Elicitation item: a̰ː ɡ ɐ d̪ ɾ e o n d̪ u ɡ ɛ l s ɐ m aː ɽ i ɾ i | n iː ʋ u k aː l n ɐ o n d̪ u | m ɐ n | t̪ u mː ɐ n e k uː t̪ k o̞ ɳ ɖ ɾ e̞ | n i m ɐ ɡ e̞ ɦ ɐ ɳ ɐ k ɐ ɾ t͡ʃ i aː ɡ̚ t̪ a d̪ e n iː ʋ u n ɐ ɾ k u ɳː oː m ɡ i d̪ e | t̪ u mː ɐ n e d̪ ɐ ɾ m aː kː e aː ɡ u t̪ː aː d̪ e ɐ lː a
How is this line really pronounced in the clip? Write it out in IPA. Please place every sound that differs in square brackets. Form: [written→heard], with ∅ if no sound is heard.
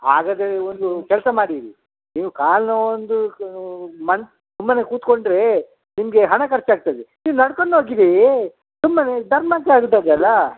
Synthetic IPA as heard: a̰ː ɡ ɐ d̪ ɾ e o n d̪ u [ɡ→k] ɛ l s ɐ m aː ɽ i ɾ i | n iː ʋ u k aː l n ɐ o n d̪ u | m ɐ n | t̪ u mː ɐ n e k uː t̪ k o̞ ɳ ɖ ɾ e̞ | n i m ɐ ɡ e̞ ɦ ɐ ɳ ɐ k ɐ ɾ t͡ʃ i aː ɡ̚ t̪ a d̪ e n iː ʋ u n ɐ [ɾ→ɽ] k [u→o] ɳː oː [m→∅] ɡ i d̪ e | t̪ u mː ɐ n e d̪ ɐ ɾ m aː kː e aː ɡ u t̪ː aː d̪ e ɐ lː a